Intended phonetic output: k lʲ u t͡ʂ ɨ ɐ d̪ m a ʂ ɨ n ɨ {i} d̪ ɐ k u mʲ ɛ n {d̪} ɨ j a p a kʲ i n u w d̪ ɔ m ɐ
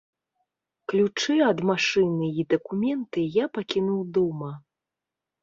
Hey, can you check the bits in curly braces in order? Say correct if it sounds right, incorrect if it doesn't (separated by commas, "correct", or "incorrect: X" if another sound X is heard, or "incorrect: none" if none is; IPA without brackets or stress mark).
correct, incorrect: t̪